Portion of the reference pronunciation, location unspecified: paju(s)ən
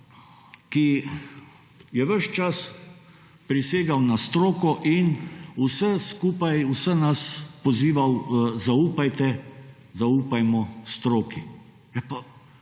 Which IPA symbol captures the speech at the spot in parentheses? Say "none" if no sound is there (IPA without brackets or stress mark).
s